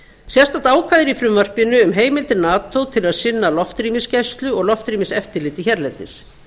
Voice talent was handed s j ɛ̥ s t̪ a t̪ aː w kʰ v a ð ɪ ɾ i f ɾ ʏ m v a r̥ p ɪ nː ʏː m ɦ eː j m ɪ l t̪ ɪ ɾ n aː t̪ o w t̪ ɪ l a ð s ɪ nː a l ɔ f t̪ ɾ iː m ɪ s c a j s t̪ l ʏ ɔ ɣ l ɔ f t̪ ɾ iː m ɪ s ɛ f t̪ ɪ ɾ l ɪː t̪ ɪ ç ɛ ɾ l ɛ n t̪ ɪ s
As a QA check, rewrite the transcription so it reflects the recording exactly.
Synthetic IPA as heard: s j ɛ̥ s t̪ a t̪ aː w kʰ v a ð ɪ ɾ i f ɾ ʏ m v a r̥ p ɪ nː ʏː m ɦ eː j m ɪ l t̪ ɪ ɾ n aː t̪ o w t̪ʰ ɪ l a ð s ɪ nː a l ɔ f t̪ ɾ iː m ɪ s c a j s t̪ l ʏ ɔ ɣ l ɔ f t̪ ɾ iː m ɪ s ɛ f t̪ ɪ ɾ l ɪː t̪ ɪ ç ɛ ɾ l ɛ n t̪ ɪ s